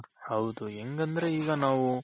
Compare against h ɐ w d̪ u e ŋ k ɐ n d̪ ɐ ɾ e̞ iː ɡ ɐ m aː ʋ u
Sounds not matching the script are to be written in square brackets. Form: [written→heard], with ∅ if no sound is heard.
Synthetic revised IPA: h ɐ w d̪ u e ŋ [k→ɡ] ɐ n d̪ ɐ ɾ e̞ iː ɡ ɐ [m→n] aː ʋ u